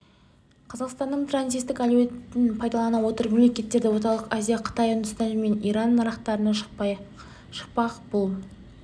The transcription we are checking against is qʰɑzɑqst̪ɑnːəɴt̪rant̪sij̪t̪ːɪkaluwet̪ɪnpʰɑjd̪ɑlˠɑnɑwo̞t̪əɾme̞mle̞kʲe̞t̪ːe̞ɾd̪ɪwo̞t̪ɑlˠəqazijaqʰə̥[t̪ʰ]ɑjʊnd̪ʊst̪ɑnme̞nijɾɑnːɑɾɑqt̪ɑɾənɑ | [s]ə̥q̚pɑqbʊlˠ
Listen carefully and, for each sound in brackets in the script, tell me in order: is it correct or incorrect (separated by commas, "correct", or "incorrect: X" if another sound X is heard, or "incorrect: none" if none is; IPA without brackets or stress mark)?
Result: incorrect: t̪, incorrect: ʃ